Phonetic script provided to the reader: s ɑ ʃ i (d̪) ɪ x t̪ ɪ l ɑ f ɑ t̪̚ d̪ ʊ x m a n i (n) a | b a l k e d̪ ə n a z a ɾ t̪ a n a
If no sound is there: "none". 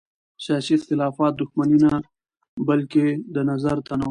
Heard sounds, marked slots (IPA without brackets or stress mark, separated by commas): none, n